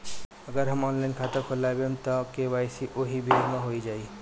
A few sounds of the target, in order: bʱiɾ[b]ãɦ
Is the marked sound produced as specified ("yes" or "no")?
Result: no